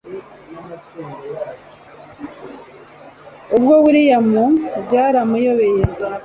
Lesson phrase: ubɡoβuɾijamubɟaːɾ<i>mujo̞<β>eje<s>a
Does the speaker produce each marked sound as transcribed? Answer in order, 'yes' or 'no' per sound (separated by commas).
no, yes, no